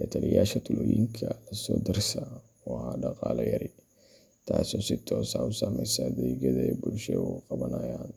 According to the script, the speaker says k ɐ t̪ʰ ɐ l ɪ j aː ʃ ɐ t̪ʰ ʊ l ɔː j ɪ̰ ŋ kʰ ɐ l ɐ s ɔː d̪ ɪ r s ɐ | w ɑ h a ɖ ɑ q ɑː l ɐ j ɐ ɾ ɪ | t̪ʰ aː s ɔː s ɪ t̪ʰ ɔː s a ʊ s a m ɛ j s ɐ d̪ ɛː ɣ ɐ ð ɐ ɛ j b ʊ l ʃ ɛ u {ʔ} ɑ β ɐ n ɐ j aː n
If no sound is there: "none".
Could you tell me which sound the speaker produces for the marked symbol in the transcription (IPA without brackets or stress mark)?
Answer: q